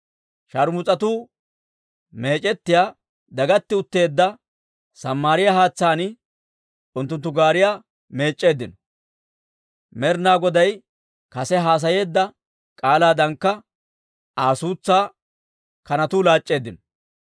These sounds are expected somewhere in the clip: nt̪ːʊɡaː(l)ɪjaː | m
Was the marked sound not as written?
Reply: yes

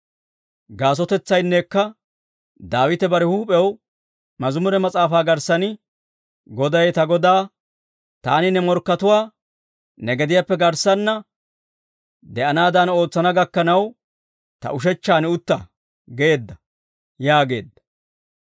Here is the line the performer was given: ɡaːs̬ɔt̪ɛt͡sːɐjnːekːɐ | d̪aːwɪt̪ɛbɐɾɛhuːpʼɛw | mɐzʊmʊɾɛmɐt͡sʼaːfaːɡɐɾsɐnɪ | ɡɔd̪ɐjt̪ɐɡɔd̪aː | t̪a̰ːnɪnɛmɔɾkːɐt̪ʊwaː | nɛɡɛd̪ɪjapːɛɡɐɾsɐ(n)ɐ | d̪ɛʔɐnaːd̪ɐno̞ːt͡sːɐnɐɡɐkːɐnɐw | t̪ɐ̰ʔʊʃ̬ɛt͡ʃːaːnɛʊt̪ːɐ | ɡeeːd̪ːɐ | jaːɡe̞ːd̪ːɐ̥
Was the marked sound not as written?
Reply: yes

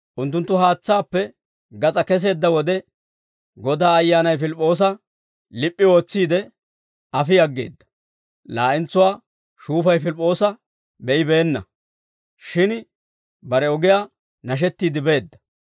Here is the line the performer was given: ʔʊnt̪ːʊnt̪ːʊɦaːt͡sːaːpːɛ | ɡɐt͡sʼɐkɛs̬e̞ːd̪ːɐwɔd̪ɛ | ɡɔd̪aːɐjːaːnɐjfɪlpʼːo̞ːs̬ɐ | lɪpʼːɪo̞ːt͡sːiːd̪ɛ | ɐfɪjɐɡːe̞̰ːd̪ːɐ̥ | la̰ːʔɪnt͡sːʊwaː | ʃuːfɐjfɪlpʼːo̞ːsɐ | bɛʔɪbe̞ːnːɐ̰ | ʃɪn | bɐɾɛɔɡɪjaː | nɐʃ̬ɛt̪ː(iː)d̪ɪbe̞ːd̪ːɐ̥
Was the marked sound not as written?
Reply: no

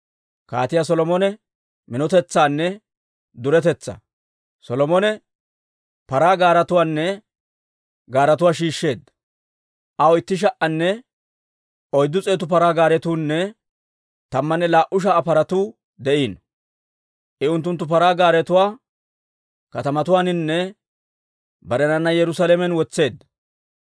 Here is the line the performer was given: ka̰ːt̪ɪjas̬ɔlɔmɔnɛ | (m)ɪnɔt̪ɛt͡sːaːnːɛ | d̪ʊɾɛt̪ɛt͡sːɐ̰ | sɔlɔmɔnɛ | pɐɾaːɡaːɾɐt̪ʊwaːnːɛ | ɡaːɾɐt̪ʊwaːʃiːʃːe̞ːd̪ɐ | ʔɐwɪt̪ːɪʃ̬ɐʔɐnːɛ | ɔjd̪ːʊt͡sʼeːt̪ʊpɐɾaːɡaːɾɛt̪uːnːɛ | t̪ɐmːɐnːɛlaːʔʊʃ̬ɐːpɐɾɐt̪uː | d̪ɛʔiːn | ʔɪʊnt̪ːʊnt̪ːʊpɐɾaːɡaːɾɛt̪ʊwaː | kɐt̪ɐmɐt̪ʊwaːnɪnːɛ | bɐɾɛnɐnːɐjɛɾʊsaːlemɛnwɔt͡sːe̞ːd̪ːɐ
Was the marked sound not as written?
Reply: no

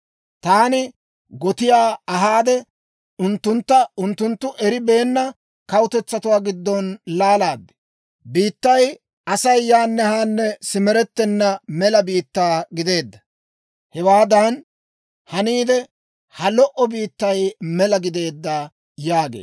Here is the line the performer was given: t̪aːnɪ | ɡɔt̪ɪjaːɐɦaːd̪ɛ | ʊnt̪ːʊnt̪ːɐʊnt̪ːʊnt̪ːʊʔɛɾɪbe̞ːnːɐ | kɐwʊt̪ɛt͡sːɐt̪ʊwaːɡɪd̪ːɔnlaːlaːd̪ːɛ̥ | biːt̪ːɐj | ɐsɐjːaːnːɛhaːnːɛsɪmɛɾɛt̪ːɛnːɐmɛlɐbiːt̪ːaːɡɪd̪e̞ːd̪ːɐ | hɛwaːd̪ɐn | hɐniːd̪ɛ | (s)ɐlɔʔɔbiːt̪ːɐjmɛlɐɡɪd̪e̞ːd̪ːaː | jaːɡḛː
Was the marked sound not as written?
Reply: yes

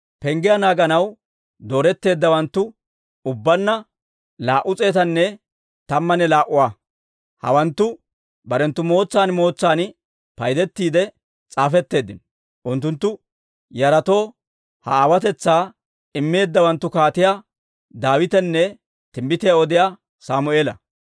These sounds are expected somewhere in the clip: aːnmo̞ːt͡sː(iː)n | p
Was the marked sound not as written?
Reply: yes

